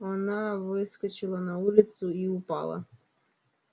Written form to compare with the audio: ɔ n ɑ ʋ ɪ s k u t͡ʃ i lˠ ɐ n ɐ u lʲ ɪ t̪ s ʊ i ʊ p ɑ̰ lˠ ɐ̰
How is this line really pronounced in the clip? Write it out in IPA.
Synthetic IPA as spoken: ɔ n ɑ ʋ ɪ s k ɔ t͡ʃ ɪ lˠ ɐ n ɐ u lʲ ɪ t̪ s ʊ i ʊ p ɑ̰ lˠ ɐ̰